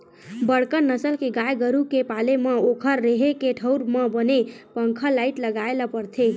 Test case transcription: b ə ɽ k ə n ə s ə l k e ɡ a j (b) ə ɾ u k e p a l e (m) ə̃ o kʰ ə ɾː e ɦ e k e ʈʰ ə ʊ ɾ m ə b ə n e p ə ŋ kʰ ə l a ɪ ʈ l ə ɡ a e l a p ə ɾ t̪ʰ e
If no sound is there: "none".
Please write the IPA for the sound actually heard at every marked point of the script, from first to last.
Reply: ɡ, m

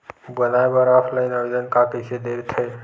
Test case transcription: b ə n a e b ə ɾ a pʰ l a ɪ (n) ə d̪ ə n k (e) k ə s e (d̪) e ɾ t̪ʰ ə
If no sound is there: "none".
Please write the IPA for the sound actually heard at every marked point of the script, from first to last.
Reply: n, a, d̪

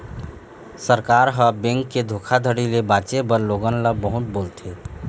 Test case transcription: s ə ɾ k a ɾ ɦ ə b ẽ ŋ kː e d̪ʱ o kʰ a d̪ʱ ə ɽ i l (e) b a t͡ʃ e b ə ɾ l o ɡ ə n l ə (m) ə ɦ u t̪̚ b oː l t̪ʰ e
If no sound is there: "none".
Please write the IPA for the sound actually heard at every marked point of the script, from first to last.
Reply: e, b

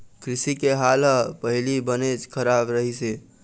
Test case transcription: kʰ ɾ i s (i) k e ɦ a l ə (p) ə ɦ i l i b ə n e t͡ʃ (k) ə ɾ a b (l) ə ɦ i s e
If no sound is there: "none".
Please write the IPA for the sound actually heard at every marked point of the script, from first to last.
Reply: i, p, kʰ, ɾ

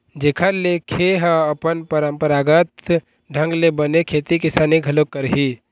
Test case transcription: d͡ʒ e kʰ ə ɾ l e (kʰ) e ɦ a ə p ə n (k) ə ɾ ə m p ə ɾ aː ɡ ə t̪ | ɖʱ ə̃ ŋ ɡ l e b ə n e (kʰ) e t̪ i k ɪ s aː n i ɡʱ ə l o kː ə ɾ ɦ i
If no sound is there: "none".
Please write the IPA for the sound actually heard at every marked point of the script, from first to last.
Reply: kʰ, p, kʰ

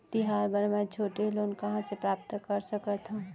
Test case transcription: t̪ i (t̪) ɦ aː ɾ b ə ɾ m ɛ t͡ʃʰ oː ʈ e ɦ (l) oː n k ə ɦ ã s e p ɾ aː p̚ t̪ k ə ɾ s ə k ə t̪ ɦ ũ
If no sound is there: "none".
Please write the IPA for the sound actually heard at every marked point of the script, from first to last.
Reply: none, l

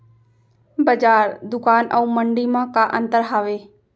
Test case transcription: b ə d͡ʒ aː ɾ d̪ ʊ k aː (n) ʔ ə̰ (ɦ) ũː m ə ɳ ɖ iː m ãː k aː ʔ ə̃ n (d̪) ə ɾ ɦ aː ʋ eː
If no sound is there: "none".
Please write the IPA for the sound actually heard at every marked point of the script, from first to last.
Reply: n, none, t̪

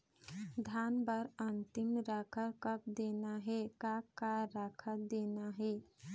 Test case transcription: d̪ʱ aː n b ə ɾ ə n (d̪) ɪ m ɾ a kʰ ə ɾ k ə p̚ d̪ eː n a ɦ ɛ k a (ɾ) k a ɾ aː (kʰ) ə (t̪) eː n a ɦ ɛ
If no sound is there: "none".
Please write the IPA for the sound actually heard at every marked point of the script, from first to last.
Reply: t̪, none, kʰ, d̪

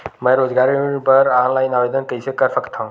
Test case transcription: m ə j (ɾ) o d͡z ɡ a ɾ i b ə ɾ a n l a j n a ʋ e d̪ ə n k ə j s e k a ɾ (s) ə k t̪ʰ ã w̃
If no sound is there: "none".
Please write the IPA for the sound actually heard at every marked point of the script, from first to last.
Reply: ɾ, f

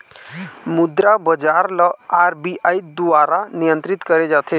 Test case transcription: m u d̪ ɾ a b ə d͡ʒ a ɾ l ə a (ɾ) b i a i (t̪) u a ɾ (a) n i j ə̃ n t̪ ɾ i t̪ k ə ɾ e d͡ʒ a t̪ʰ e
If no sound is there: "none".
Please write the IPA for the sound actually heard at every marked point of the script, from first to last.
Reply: ɾ, d̪, a

